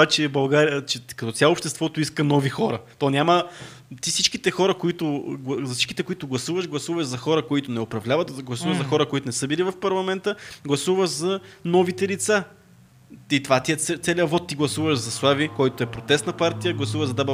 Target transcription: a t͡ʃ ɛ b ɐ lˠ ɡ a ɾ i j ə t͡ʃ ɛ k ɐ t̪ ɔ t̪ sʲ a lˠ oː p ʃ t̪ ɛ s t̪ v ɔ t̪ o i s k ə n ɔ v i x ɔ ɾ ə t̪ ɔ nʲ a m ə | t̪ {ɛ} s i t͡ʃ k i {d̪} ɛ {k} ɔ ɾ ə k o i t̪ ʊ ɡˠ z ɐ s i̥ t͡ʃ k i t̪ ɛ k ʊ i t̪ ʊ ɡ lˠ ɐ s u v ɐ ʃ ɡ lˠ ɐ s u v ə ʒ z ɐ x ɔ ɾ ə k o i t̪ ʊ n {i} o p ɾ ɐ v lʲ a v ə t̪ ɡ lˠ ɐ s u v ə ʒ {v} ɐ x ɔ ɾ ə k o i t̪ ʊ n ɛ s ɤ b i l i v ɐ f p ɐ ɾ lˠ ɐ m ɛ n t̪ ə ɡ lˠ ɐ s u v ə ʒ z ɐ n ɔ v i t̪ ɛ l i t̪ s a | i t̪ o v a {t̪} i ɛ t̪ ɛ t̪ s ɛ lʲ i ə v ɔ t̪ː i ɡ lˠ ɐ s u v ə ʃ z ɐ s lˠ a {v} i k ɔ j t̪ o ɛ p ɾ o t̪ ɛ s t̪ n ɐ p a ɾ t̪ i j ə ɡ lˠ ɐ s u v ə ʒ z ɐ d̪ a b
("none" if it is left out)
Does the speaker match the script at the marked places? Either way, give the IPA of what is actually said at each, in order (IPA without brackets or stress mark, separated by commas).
i, t̪, x, ɛ, z, t̪, v